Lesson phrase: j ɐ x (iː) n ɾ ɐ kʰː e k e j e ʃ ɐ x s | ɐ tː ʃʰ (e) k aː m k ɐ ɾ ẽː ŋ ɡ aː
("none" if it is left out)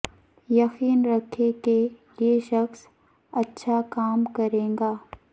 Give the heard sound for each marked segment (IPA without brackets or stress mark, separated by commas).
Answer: iː, a